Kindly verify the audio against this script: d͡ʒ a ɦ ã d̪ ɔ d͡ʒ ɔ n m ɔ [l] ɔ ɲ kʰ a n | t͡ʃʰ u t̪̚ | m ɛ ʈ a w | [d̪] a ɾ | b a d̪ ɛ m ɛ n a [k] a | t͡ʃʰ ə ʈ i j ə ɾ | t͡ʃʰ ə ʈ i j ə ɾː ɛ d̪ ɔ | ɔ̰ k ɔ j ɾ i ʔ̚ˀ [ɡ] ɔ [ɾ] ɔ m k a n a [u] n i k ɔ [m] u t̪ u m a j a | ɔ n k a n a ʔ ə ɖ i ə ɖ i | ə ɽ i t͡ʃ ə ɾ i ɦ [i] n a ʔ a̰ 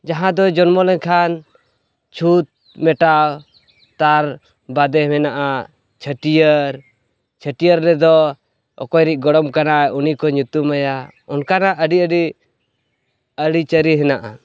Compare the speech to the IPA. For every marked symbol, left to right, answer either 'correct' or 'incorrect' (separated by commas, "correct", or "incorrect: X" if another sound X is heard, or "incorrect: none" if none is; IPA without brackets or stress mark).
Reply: correct, incorrect: t̪, incorrect: ʔ, correct, incorrect: ɽ, correct, incorrect: ɲ, incorrect: ɛ